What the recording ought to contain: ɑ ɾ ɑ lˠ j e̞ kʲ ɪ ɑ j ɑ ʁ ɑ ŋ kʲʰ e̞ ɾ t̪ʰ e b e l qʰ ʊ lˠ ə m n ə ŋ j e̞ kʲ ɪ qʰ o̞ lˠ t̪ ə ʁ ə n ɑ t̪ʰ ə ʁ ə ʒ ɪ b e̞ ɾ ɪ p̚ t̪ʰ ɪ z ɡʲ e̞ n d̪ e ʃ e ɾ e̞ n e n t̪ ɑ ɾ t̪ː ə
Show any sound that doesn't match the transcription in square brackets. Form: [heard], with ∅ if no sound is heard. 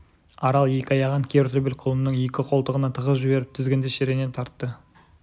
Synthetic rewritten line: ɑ ɾ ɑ lˠ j e̞ kʲ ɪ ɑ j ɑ ʁ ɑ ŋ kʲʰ e̞ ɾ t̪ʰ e b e l qʰ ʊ lˠ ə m n ə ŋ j e̞ kʲ ɪ qʰ o̞ lˠ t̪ ə ʁ ə n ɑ t̪ʰ ə ʁ ə ʒ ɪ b e̞ ɾ ɪ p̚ t̪ʰ ɪ z ɡʲ e̞ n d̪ e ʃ e ɾ e̞ n e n [t̪ʰ] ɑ ɾ t̪ː ə